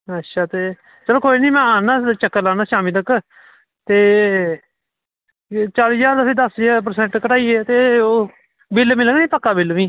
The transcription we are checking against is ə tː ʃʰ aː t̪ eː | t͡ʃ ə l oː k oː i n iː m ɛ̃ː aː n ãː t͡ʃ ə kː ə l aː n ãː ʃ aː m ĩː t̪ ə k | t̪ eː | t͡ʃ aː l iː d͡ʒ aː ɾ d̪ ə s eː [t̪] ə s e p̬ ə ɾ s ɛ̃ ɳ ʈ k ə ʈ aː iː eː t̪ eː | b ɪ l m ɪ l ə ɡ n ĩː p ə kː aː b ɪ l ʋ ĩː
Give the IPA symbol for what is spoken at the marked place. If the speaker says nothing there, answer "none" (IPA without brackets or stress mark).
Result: d̪